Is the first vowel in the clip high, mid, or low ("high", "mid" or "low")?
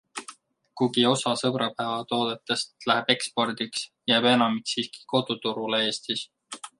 high